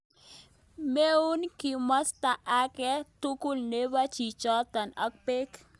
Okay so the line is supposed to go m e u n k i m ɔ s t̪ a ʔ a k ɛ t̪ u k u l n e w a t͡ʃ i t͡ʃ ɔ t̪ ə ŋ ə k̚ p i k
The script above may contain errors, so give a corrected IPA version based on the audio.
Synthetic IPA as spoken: m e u n k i m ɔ s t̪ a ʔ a k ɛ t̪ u k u l n e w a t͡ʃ i t͡ʃ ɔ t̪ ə n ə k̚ p e k